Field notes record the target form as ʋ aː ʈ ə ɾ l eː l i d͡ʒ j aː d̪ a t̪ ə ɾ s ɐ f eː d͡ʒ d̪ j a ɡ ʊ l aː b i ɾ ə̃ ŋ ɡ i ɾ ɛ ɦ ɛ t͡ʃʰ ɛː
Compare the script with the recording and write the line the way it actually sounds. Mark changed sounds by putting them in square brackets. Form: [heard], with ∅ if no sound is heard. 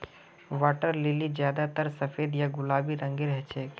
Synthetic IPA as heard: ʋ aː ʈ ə ɾ l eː l i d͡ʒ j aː d̪ a t̪ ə ɾ s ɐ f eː [∅] d̪ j a ɡ ʊ l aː b i ɾ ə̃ ŋ ɡ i ɾ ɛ ɦ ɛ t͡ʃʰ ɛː